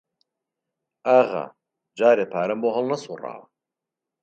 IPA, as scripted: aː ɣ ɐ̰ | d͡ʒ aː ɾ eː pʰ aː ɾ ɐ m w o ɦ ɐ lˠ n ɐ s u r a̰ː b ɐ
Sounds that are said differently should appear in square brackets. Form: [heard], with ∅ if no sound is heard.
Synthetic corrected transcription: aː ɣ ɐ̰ | d͡ʒ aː ɾ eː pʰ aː ɾ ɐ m [b] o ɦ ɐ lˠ n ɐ s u r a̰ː [w] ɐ